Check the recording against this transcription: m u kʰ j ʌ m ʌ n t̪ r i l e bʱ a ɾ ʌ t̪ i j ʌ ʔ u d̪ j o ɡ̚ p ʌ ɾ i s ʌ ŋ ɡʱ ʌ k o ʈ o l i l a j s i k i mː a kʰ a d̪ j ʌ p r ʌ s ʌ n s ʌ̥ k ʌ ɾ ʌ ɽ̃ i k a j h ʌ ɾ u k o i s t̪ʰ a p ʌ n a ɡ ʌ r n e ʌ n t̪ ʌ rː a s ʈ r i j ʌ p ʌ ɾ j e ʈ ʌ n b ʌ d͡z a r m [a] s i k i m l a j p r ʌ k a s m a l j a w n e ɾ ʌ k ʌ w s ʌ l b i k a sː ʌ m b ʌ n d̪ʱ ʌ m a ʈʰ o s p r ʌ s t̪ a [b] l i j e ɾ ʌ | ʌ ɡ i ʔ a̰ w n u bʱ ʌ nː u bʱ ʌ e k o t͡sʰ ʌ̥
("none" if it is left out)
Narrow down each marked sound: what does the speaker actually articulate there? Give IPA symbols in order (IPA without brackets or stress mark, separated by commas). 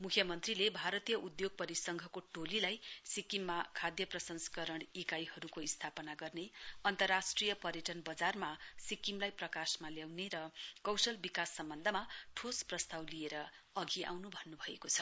a, w